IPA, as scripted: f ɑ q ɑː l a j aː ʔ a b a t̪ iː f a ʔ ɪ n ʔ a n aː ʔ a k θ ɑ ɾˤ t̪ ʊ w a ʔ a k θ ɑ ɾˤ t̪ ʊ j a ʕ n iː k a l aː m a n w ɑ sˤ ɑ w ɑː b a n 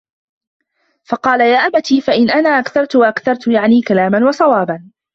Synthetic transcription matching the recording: f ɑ q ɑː l a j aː ʔ a b a t̪ iː f a ʔ ɪ n ʔ a n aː ʔ a k θ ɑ ɾˤ t̪ ʊ w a ʔ a k θ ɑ ɾˤ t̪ ʊ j a ʕ n iː k a l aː m a n w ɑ sˤ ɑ w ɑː b a n